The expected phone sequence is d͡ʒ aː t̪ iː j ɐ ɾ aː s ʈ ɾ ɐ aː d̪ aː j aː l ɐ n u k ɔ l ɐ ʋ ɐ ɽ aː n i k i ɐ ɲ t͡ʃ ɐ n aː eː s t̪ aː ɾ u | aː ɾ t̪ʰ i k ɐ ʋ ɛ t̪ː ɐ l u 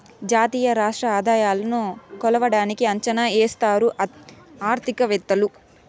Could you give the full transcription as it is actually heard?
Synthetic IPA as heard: d͡ʒ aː t̪ iː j ɐ ɾ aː ʂ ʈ ɾ ɐ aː d̪ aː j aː l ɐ n u k ɔ l ɐ ʋ ɐ ɽ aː n i k i ɐ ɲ t͡ʃ ɐ n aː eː s t̪ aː ɾ u | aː ɾ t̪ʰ i k ɐ ʋ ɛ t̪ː ɐ l u